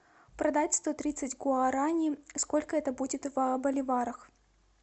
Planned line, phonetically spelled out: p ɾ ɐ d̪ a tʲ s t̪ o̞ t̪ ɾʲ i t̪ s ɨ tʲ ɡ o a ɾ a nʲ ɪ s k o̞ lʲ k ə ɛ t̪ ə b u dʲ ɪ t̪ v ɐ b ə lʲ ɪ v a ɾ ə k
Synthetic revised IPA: p ɾ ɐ d̪ a tʲ s t̪ o̞ t̪ ɾʲ i t̪ s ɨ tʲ ɡ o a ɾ a nʲ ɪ s k o̞ lʲ k ə ɛ t̪ ə b u dʲ ɪ t̪ v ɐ b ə lʲ ɪ v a ɾ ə x